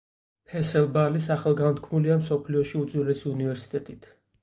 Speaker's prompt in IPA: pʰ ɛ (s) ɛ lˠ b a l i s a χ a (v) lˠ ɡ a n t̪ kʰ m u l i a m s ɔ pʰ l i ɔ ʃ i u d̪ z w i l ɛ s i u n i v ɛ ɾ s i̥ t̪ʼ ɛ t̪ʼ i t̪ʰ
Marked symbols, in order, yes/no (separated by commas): yes, no